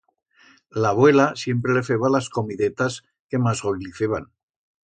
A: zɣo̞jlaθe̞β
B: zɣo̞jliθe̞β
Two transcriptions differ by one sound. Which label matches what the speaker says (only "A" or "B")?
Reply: B